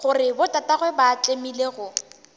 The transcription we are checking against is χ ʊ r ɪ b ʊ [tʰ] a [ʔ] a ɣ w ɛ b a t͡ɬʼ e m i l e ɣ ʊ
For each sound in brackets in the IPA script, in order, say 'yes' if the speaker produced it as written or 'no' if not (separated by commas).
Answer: no, no